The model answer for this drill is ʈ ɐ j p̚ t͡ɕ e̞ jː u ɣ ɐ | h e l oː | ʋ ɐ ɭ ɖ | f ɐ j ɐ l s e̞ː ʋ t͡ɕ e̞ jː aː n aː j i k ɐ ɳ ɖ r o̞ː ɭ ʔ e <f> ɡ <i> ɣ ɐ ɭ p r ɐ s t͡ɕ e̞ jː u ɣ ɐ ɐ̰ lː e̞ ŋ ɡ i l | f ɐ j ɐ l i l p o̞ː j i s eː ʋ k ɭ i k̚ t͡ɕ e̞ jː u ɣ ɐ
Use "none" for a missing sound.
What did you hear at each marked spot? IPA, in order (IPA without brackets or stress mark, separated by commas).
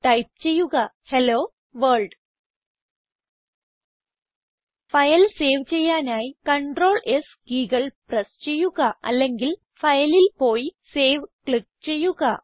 s, iː